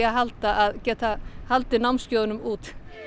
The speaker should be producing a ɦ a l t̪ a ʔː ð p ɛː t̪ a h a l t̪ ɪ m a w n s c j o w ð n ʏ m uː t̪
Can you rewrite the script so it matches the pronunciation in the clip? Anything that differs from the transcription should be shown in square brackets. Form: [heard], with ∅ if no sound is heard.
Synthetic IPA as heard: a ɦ a l t̪ a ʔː ð [c] ɛː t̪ a h a l t̪ ɪ [n] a w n s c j o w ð n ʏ m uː t̪